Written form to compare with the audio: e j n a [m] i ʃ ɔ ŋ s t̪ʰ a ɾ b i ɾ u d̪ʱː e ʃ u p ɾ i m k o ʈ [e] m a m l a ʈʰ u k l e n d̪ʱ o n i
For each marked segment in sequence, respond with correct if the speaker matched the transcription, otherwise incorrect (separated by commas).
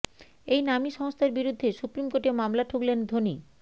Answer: correct, correct